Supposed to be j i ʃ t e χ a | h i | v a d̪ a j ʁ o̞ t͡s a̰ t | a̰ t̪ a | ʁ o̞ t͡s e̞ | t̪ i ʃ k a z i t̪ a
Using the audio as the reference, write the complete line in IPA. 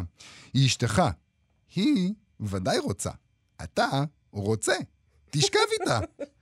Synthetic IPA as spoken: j i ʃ t e χ a | h i | v a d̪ a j ʁ o̞ t͡s a̰ | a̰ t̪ a | ʁ o̞ t͡s e̞ | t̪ i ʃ k a v i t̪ a